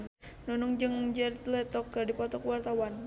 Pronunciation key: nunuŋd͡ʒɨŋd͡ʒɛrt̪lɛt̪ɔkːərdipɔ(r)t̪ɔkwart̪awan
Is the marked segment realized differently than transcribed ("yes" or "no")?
yes